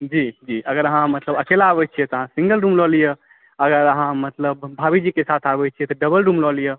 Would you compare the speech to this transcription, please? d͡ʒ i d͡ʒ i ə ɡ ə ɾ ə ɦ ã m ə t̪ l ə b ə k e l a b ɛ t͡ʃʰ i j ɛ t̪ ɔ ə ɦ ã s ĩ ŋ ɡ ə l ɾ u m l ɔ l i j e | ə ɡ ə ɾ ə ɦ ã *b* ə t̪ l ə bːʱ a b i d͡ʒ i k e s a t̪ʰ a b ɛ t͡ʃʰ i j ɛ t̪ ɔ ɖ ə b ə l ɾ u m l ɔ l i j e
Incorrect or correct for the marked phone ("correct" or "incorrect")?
incorrect